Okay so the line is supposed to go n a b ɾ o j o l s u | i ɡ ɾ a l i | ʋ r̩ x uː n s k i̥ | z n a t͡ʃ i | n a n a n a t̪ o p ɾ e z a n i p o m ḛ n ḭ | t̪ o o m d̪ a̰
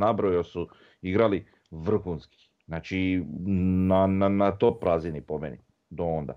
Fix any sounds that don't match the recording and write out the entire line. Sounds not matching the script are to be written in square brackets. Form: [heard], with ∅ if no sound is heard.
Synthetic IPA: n a b ɾ o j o [∅] s u | i ɡ ɾ a l i | ʋ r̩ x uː n s k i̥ | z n a t͡ʃ i | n a n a n a t̪ o p ɾ [a] z [i] n i p o m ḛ n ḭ | [d̪] o o [n] d̪ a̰